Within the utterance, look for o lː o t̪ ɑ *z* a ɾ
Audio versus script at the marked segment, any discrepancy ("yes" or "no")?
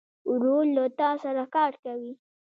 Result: yes